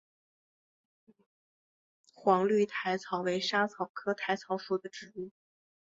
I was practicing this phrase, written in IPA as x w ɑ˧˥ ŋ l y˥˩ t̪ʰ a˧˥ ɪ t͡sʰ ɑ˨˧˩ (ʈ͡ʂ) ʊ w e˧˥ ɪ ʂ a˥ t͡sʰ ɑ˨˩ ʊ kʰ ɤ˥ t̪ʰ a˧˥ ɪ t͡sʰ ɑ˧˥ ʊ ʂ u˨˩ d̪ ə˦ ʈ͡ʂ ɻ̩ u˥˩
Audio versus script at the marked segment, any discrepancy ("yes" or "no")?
yes